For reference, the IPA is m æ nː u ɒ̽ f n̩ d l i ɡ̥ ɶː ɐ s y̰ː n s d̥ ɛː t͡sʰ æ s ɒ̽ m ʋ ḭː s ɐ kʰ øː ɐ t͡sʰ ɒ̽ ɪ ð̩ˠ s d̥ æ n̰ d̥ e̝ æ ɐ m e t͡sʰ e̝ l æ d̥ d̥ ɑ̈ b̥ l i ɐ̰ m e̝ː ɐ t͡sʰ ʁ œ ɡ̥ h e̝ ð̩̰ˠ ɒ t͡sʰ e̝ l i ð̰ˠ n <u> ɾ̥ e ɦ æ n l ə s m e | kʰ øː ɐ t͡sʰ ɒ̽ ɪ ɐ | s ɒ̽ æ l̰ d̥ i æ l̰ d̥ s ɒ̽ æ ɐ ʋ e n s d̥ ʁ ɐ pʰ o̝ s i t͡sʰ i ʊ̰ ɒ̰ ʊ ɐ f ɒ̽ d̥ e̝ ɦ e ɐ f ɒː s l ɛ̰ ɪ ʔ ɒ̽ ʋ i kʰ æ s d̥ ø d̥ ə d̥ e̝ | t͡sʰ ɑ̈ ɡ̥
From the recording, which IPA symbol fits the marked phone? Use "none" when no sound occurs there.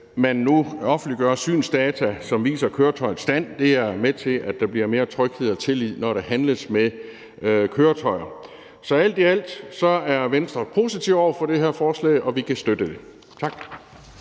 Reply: ɒ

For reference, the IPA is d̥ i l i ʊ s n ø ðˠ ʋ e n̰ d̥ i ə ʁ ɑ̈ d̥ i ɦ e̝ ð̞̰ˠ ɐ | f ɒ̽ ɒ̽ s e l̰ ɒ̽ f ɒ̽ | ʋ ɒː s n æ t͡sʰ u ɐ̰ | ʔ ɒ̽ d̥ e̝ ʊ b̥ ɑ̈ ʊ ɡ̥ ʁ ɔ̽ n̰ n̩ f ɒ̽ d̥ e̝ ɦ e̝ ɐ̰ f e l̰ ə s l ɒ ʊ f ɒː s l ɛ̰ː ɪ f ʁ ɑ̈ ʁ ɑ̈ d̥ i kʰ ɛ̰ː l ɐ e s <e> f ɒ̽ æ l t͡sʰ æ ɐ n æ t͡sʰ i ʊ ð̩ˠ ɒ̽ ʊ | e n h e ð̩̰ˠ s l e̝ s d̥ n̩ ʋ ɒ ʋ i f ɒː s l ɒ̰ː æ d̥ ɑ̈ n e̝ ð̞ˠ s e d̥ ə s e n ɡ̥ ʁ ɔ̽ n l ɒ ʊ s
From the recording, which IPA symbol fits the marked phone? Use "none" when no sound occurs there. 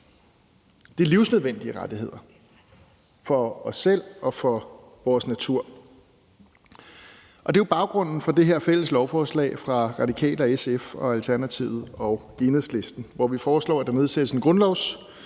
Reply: e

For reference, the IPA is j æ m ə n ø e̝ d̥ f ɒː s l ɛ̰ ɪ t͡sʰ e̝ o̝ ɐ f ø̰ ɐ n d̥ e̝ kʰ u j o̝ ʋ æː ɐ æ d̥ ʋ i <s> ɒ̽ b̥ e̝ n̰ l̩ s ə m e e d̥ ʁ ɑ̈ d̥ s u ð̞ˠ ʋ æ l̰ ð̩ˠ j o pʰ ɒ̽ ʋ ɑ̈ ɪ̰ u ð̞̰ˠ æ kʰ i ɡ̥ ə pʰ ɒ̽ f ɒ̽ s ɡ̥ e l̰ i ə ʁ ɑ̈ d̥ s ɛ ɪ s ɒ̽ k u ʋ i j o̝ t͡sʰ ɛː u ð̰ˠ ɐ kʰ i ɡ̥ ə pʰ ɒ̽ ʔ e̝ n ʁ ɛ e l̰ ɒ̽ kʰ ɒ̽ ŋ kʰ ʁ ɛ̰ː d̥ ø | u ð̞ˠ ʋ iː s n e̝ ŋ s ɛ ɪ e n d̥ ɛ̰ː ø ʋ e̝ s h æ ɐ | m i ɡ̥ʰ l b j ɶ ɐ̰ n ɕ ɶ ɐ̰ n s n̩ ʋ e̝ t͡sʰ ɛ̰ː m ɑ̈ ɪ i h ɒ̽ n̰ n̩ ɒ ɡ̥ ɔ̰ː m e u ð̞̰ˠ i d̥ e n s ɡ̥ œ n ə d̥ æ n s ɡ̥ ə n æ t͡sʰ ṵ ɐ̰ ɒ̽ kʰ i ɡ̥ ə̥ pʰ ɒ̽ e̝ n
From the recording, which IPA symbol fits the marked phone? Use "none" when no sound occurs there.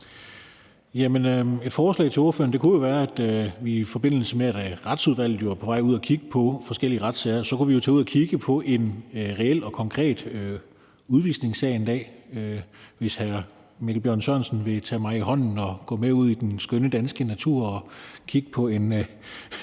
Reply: f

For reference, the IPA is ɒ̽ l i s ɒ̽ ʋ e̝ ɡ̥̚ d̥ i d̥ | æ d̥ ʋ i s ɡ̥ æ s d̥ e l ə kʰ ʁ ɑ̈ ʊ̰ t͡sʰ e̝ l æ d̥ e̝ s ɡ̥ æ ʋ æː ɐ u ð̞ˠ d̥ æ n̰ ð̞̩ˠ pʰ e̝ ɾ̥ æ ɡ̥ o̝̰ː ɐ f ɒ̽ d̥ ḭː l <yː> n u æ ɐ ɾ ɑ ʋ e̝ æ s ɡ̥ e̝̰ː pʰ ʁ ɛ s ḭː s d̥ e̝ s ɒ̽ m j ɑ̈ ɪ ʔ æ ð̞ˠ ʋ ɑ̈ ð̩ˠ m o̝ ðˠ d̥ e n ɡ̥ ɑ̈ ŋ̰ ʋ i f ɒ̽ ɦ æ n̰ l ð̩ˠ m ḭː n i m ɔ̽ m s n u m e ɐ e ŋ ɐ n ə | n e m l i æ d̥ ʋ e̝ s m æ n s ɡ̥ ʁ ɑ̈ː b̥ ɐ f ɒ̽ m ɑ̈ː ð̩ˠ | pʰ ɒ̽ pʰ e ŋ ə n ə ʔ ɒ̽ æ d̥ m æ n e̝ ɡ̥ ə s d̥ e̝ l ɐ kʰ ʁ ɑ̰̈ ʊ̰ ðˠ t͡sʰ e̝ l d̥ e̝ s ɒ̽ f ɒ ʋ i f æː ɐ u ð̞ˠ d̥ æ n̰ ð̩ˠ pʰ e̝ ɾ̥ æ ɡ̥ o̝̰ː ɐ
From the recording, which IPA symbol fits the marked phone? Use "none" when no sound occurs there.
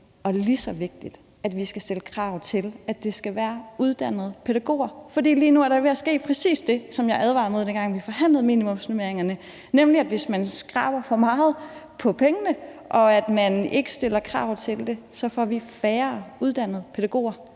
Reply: iː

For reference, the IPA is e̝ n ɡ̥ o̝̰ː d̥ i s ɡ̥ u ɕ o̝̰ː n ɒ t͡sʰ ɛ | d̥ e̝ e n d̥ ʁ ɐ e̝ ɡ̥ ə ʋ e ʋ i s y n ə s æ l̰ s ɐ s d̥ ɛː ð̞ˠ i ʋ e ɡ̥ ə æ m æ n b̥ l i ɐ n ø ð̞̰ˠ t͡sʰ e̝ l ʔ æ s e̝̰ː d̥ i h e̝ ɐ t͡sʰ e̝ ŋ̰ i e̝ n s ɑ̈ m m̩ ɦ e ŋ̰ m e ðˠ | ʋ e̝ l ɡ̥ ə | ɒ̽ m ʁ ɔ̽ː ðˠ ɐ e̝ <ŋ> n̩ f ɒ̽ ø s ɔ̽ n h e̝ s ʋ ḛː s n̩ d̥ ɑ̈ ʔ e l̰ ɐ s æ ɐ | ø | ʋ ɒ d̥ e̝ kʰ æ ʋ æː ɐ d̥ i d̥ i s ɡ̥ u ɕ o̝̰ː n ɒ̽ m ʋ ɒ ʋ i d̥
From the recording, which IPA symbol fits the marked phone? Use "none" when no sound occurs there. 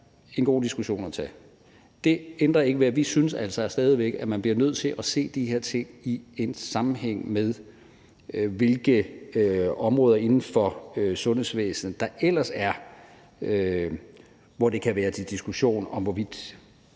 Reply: n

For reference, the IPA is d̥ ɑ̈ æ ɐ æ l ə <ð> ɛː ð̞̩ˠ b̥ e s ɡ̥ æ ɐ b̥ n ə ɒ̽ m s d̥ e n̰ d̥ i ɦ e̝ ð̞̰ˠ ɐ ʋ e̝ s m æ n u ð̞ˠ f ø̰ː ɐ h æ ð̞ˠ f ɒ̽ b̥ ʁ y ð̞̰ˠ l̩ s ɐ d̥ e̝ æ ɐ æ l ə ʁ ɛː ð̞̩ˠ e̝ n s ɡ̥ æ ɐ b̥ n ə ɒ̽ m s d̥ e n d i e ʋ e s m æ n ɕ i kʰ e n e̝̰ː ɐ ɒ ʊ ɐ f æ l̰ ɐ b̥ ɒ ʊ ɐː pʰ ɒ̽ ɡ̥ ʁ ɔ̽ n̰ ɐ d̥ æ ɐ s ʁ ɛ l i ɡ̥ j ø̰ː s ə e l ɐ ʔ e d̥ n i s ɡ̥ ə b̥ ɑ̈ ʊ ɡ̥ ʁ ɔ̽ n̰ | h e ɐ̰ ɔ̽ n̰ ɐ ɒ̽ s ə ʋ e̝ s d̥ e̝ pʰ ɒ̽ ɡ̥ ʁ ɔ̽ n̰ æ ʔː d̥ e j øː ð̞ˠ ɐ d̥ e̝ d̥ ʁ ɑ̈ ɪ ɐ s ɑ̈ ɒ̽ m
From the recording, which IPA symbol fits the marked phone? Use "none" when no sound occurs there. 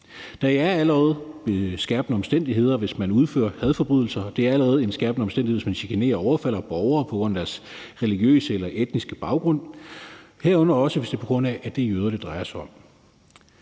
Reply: ʁ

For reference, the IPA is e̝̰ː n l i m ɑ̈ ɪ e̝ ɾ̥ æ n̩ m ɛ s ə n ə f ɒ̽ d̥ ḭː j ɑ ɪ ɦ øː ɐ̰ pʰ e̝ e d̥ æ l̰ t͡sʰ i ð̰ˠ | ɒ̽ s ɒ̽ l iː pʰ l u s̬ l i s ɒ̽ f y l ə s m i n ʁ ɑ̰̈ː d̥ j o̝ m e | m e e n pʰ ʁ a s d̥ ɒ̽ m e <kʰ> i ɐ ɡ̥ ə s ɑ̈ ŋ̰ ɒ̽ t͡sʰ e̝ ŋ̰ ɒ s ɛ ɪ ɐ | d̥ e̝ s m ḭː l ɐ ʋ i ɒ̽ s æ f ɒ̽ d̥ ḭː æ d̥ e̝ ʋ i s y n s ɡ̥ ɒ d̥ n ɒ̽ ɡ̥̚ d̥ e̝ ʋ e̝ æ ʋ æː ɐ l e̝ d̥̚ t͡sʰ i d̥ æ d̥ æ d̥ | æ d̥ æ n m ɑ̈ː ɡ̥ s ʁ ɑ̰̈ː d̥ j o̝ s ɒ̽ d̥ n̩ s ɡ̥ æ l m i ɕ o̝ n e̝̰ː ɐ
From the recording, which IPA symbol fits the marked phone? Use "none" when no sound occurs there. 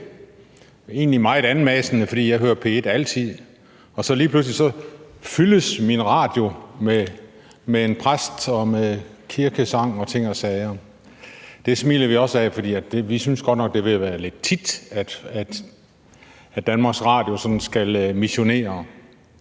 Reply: kʰ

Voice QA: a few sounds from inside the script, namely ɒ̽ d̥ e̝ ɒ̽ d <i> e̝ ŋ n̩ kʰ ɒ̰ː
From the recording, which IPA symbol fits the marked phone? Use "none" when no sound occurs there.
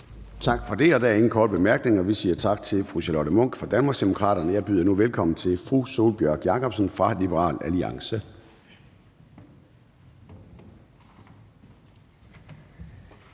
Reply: æ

